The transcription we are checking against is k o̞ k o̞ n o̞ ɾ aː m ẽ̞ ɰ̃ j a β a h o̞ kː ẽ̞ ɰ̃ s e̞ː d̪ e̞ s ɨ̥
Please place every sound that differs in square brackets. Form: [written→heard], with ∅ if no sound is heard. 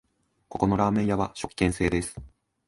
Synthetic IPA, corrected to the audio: k o̞ k o̞ n o̞ ɾ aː m ẽ̞ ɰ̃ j a β a [h→ɕ] o̞ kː ẽ̞ ɰ̃ s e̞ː d̪ e̞ s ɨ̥